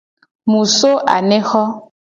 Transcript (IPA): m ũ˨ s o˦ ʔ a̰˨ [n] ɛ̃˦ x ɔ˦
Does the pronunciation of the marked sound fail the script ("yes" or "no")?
no